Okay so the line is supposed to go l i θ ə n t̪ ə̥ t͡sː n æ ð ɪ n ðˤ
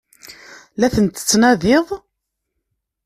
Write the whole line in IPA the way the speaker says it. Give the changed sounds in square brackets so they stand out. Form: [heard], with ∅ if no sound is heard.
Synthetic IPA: l [æ] θ ə n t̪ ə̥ t͡sː n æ ð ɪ [∅] ðˤ